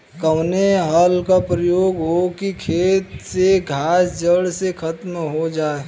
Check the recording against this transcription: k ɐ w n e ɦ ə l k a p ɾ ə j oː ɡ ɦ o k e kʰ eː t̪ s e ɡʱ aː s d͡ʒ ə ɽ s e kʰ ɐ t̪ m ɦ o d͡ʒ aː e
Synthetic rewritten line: k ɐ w n e ɦ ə l k a p ɾ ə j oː ɡ ɦ o k i kʰ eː t̪ s e ɡʱ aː s d͡ʒ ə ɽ s e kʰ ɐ t̪ m ɦ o d͡ʒ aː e

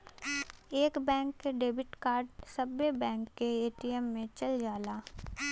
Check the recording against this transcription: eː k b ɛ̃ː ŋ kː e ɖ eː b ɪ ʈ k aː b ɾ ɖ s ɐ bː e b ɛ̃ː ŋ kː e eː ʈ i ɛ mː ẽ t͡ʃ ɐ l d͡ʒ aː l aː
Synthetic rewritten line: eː k b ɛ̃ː ŋ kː e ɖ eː b ɪ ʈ k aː ɾ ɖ s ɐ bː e b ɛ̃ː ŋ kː e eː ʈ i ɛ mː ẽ t͡ʃ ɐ l d͡ʒ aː l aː

